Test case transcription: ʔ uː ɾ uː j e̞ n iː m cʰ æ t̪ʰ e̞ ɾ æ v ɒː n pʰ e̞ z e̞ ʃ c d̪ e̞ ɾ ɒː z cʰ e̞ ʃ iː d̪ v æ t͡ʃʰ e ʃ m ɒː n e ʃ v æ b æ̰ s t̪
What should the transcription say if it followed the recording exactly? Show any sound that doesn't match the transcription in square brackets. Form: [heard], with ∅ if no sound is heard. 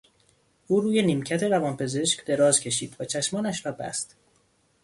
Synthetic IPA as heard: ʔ uː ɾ uː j e̞ n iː m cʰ æ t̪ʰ e̞ ɾ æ v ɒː n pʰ e̞ z e̞ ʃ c d̪ e̞ ɾ ɒː z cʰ e̞ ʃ iː d̪ v æ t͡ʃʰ [æ] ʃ m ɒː n [æ] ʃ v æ b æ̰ s t̪